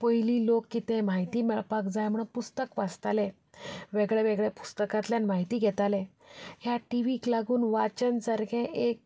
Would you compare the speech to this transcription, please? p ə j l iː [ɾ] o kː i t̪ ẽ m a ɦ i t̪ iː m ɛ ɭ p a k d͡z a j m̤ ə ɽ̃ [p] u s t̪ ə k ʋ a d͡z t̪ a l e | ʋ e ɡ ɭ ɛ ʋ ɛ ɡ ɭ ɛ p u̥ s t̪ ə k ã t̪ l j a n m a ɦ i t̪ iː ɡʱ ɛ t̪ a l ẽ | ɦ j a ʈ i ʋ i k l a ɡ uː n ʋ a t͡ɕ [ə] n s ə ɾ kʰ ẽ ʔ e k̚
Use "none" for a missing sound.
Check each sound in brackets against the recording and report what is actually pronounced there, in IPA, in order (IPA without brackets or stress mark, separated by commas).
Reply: l, p, ə